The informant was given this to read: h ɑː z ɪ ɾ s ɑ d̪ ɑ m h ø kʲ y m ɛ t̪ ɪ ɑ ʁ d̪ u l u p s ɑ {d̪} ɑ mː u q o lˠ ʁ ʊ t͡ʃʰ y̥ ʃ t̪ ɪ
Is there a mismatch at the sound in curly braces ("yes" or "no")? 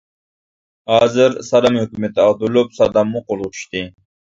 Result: no